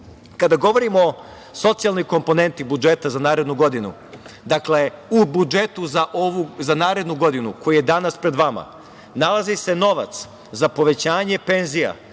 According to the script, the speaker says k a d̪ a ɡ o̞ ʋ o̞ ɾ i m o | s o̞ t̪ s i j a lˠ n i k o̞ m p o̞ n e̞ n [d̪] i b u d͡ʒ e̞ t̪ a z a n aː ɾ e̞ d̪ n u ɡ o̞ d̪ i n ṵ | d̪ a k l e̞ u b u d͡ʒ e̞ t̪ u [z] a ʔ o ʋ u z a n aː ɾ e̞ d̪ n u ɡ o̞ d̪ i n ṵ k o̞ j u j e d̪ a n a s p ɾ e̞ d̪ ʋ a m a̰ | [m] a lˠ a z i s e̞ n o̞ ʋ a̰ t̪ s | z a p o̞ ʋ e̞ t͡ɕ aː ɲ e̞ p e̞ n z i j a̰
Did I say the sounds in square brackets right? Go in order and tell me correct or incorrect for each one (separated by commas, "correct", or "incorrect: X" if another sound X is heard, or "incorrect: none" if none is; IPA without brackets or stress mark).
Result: incorrect: t̪, correct, incorrect: n